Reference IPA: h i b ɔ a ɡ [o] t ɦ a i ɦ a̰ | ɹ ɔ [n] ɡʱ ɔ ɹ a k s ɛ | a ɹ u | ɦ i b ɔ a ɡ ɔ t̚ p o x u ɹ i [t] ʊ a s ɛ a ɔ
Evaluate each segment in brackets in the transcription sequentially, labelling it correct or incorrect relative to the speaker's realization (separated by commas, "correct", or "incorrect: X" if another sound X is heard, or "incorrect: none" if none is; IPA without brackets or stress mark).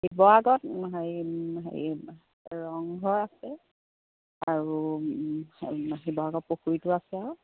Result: incorrect: ɔ, incorrect: ŋ, correct